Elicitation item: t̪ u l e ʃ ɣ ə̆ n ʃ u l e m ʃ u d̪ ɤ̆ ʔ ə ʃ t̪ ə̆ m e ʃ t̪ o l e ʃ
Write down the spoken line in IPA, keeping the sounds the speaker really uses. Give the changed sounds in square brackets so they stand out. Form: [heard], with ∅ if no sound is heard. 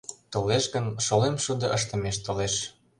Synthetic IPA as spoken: t̪ [o] l e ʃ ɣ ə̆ n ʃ [o] l e m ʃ u d̪ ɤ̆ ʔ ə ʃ t̪ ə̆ m e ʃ t̪ o l e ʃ